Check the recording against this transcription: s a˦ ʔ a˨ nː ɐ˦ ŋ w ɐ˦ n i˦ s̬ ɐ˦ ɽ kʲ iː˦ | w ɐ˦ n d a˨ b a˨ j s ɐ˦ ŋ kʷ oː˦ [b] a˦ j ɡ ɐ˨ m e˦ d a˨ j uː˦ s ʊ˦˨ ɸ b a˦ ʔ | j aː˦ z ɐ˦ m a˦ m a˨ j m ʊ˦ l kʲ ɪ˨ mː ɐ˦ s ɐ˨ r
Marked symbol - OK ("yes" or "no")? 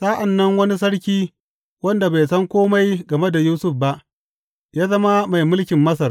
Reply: no